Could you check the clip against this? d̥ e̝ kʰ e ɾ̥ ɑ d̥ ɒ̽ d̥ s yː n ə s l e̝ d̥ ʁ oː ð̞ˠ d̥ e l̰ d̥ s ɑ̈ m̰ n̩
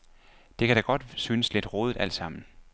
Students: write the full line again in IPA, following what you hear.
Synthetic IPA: d̥ e̝ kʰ æ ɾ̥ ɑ ɡ̥ ɒ̽ d̥ s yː n ə s l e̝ d̥ ʁ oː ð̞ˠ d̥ æ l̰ d̥ s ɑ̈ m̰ n̩